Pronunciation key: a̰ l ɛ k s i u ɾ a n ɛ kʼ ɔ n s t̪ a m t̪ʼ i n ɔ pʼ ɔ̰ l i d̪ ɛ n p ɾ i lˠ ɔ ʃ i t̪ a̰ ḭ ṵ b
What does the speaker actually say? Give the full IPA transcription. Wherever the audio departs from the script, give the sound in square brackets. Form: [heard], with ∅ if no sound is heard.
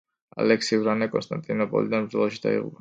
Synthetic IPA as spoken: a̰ l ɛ k s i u ɾ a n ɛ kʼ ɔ n s t̪ a [n] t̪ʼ i n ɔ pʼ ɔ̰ l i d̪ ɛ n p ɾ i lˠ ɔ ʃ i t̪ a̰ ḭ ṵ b